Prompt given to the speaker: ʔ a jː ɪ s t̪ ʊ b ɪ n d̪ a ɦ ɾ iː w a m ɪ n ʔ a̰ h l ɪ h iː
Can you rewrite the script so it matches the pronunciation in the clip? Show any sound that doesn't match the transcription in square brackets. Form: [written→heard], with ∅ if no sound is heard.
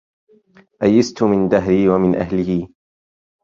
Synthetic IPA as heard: ʔ a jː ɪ s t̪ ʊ [b→m] ɪ n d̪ a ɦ ɾ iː w a m ɪ n ʔ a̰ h l ɪ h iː